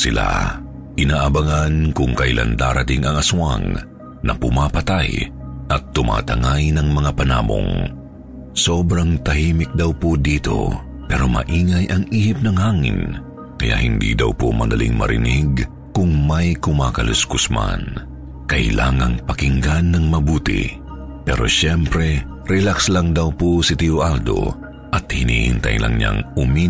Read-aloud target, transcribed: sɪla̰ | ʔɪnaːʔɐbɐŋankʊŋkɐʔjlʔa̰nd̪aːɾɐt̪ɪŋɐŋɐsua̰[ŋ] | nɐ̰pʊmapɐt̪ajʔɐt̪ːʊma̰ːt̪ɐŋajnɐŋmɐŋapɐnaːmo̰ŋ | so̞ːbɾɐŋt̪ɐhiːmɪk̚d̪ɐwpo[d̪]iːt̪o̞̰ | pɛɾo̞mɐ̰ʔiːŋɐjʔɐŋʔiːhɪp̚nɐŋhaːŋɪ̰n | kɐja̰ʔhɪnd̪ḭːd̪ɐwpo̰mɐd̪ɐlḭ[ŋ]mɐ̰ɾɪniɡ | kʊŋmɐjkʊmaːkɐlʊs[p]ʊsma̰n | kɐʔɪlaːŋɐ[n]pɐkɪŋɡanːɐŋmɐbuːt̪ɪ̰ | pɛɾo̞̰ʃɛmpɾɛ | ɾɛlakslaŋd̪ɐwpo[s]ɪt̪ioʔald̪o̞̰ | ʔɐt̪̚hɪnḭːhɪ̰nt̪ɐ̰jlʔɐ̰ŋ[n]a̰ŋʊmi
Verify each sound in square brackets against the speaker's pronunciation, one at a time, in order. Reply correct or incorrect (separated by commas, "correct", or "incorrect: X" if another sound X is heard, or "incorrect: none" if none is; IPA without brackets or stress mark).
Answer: correct, correct, correct, incorrect: k, incorrect: ŋ, correct, incorrect: ɲ